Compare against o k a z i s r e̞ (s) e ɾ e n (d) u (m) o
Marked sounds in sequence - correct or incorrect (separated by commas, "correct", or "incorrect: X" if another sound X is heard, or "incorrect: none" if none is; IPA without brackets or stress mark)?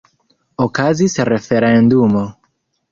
incorrect: f, correct, correct